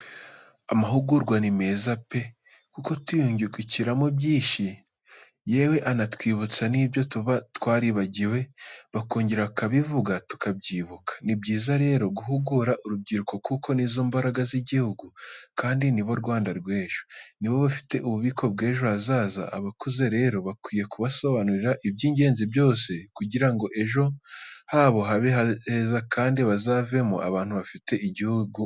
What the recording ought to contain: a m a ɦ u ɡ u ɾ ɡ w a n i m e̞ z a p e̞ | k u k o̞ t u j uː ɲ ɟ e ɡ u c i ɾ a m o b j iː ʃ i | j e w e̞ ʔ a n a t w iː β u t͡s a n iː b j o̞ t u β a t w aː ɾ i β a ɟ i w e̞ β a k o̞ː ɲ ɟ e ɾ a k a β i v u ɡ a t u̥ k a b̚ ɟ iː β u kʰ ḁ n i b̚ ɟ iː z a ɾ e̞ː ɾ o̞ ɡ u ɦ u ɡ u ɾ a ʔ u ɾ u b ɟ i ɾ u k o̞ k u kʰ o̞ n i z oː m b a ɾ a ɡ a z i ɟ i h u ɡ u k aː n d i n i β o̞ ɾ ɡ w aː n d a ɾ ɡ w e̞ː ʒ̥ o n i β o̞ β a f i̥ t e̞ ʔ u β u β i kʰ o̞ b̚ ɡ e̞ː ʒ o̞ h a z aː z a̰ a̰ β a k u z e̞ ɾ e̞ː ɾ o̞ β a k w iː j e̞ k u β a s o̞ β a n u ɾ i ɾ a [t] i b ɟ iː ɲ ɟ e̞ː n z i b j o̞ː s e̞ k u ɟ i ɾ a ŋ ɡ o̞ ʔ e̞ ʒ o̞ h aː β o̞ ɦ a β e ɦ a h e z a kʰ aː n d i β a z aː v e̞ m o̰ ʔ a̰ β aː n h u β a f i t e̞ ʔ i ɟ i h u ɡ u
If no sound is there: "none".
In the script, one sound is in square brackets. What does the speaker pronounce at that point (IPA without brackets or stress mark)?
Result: ʔ